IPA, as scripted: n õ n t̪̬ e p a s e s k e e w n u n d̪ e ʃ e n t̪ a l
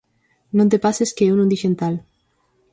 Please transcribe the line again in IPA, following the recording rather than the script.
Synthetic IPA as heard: n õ n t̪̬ e p a s e s k e e w n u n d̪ i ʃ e n t̪ a l